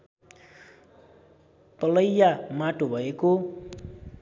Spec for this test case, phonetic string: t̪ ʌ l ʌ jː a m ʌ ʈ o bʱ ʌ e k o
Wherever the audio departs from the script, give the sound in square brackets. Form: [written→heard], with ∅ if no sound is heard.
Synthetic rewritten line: t̪ ʌ l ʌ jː a m [ʌ→a] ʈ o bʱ ʌ e k o